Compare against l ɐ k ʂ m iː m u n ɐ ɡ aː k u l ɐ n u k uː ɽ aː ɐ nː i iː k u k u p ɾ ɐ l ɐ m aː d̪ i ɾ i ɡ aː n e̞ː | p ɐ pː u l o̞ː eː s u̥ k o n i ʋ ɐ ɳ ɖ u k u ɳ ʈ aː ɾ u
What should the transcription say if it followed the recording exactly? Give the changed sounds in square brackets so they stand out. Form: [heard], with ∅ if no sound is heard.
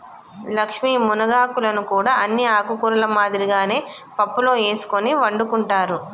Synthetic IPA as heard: l ɐ k ʂ m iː m u n ɐ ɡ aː k u l ɐ n u k uː ɽ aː ɐ nː i [aː] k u k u [∅] ɾ ɐ l ɐ m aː d̪ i ɾ i ɡ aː n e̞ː | p ɐ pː u l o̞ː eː s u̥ k o n i ʋ ɐ ɳ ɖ u k u ɳ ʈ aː ɾ u